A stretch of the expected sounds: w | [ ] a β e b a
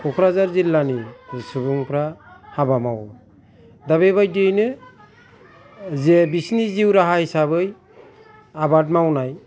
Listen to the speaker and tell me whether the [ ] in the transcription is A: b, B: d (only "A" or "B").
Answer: B